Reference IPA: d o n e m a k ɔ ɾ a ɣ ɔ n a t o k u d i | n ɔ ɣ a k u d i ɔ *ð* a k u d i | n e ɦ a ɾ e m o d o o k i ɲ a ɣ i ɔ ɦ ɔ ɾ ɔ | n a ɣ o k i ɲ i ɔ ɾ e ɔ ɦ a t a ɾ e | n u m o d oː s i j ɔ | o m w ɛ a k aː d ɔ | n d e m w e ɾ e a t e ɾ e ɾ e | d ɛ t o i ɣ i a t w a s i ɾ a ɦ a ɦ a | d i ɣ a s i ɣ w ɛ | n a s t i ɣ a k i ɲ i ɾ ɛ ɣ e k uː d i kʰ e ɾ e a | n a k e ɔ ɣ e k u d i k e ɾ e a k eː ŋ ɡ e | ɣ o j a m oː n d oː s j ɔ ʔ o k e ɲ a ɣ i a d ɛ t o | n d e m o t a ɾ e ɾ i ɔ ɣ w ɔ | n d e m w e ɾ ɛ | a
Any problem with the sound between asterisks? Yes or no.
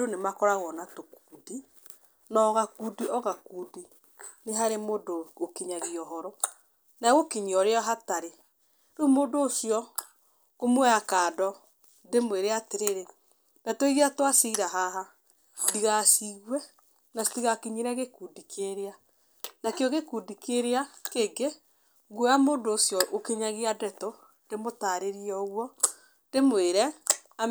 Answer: yes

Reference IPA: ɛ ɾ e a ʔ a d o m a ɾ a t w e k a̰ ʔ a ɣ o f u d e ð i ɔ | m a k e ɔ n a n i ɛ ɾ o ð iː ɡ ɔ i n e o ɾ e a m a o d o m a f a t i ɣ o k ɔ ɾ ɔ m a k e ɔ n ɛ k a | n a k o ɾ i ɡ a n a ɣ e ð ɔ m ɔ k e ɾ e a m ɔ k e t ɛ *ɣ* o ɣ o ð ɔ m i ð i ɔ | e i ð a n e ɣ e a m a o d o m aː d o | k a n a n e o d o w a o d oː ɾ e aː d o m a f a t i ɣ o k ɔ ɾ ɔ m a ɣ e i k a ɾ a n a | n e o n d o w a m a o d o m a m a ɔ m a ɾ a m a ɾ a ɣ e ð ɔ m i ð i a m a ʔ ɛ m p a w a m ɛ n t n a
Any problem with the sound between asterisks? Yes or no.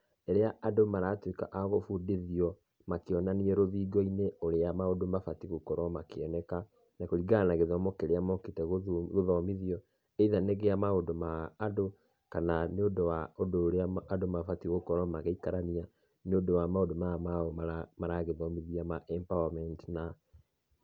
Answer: no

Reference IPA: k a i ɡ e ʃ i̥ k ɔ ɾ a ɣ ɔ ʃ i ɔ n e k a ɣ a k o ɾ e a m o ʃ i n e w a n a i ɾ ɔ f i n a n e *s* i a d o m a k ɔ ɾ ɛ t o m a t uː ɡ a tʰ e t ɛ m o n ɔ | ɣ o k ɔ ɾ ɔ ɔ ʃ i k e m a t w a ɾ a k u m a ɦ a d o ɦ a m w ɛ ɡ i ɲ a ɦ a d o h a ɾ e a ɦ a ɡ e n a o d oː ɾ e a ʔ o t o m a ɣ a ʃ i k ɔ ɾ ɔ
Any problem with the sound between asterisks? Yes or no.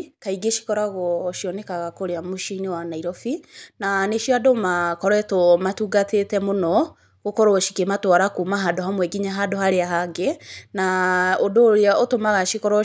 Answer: yes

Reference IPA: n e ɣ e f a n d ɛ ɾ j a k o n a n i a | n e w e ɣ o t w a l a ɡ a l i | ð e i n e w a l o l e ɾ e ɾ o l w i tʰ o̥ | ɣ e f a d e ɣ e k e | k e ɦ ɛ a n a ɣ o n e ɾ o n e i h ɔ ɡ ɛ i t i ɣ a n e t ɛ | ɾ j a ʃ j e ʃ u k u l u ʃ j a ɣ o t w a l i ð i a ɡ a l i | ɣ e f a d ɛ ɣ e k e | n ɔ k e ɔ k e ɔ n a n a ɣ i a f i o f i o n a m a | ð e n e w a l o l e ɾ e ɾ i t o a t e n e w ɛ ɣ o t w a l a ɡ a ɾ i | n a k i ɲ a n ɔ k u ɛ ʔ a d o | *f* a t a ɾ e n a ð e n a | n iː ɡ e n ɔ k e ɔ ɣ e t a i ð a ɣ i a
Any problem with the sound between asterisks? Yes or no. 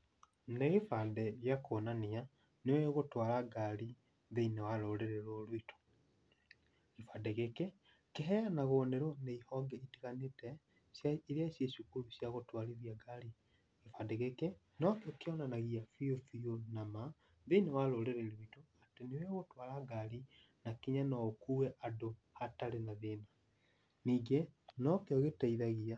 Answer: yes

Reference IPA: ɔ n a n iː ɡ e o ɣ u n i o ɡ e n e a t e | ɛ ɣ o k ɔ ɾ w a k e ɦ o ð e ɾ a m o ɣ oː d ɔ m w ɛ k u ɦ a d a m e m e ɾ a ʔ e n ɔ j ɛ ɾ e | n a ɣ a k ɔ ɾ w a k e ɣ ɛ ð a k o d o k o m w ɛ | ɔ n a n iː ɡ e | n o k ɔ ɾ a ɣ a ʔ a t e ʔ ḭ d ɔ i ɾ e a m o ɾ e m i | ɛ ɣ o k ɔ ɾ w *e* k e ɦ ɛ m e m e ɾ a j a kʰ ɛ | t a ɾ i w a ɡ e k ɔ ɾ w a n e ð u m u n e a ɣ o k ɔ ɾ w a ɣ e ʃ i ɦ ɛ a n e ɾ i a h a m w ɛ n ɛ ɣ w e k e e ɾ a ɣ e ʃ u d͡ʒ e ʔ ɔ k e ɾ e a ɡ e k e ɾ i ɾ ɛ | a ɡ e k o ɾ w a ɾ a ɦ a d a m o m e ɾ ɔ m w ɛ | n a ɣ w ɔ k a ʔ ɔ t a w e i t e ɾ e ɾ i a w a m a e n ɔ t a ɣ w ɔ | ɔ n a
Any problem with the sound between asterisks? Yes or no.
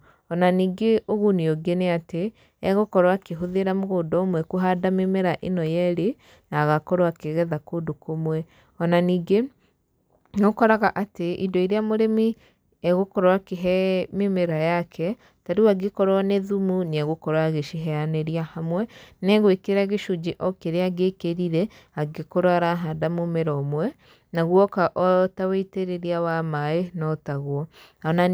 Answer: yes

